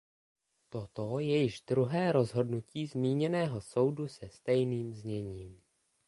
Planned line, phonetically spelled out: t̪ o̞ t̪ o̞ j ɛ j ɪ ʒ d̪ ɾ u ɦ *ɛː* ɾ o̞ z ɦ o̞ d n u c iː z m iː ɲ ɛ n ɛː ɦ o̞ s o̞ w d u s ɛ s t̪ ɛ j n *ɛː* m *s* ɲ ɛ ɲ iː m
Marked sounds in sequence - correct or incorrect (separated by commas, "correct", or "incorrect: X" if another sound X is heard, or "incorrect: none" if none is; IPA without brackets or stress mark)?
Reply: correct, incorrect: iː, incorrect: z